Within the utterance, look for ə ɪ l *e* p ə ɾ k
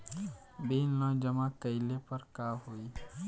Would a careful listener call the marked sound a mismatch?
no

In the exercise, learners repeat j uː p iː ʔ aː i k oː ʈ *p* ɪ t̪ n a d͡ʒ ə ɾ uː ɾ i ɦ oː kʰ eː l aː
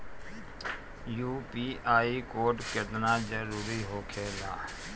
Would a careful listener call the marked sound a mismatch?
yes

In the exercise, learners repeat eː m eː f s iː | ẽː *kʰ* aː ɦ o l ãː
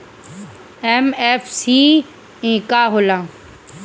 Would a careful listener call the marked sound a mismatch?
yes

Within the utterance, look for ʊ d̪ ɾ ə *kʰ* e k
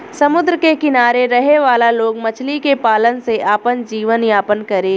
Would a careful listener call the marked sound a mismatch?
yes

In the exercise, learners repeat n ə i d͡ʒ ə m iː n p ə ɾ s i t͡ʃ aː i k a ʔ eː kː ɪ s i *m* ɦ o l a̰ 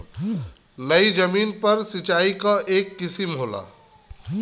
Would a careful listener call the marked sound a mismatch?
no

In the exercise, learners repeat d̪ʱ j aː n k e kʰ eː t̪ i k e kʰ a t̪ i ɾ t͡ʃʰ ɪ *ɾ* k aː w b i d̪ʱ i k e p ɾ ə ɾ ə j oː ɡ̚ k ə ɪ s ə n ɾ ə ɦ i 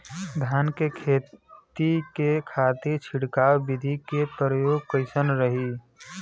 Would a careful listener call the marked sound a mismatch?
yes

